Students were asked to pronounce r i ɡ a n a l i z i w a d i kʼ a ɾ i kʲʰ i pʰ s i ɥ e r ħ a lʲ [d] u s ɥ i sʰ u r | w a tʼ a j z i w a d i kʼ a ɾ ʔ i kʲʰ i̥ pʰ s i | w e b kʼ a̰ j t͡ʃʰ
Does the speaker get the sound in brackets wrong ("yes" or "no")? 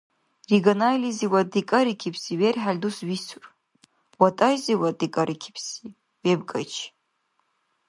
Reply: no